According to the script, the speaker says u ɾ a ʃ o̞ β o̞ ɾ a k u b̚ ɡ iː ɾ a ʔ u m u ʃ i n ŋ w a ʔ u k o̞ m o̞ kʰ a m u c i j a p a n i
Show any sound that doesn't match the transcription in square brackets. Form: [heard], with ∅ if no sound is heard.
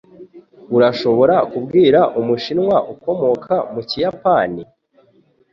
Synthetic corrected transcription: u ɾ a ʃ o̞ β o̞ ɾ a k u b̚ ɡ iː ɾ a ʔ u m u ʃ i n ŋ w a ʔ u k o̞ m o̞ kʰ a m u c i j a p a n i